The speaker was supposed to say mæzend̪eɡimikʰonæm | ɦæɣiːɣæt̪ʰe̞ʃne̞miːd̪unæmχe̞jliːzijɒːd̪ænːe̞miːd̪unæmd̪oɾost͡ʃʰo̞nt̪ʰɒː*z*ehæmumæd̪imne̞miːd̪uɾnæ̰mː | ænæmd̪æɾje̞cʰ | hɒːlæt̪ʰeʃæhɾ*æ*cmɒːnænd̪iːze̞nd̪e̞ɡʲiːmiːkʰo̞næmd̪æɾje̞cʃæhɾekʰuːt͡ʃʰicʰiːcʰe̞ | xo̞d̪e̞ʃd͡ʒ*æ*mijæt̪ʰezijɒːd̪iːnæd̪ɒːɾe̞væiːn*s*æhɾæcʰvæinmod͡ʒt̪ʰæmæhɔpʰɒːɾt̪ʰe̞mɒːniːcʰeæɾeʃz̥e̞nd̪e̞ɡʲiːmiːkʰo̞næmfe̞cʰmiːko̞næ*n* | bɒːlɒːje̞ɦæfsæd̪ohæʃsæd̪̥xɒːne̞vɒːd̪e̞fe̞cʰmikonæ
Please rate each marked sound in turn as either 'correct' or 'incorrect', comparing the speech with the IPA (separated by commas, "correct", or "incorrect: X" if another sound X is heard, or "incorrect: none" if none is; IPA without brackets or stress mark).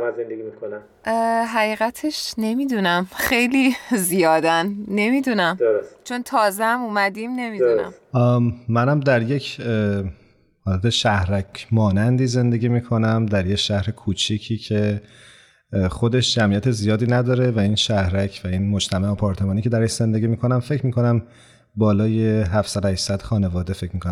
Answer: correct, correct, correct, incorrect: ʃ, incorrect: m